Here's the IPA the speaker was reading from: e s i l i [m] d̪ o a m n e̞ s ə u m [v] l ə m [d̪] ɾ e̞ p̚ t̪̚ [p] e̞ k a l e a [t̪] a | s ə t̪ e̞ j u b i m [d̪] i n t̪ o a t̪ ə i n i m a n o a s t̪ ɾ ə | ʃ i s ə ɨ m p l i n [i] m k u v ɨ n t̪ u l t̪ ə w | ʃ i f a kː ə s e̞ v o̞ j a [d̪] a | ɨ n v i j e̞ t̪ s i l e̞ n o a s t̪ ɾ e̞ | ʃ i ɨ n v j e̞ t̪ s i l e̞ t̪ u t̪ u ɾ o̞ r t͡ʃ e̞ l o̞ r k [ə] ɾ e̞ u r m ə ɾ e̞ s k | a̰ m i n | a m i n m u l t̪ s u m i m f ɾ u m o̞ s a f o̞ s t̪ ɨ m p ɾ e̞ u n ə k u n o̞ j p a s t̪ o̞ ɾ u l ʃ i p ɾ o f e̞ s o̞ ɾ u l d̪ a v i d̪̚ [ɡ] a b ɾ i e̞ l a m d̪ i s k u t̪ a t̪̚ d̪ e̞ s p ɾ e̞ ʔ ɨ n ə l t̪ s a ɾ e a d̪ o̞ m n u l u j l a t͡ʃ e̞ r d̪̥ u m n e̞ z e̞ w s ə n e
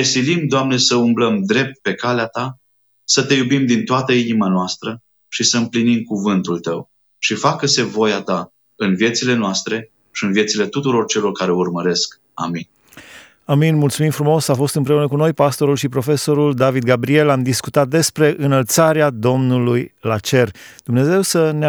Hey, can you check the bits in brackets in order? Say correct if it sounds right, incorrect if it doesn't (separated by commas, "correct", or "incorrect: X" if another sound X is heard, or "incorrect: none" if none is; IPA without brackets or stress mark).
correct, incorrect: b, correct, correct, correct, correct, correct, incorrect: t̪, incorrect: a, correct